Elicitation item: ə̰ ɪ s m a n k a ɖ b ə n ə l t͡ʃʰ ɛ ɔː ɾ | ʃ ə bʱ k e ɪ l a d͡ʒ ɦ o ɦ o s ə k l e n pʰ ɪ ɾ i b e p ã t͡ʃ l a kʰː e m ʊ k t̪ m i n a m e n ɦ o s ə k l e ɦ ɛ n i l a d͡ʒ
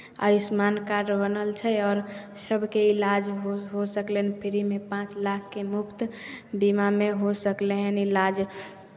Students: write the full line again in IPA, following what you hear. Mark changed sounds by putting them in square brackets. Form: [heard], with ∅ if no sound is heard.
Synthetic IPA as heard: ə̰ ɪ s m a n k a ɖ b ə n ə l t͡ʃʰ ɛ ɔː ɾ | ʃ ə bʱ k e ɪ l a d͡ʒ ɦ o ɦ o s ə k l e n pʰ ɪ ɾ i [m] e p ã t͡ʃ l a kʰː e m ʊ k t̪ [b] i [m] a m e [∅] ɦ o s ə k l e ɦ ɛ n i l a d͡ʒ